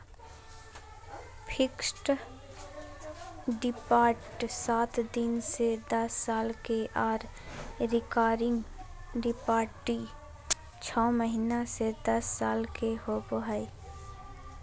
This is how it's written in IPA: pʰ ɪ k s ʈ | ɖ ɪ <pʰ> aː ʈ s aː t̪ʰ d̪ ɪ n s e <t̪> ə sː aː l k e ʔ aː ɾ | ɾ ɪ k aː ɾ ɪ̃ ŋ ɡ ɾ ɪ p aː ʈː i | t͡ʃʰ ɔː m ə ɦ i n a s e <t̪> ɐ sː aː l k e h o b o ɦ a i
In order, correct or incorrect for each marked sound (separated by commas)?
incorrect, incorrect, incorrect